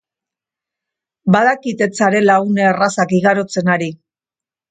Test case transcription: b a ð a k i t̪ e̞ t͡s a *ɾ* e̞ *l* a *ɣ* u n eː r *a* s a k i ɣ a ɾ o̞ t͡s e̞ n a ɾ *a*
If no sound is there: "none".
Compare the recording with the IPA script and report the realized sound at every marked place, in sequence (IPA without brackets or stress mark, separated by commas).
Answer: ɾ, l, ɣ, a, i